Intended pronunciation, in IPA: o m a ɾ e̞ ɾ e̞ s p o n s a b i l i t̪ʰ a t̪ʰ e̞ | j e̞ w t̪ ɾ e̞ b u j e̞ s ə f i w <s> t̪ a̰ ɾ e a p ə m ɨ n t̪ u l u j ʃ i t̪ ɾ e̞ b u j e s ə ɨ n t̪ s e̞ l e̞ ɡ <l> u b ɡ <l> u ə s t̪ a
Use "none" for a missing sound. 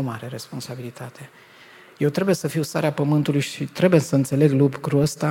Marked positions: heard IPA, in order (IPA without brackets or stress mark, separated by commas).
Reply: s, l, ɾ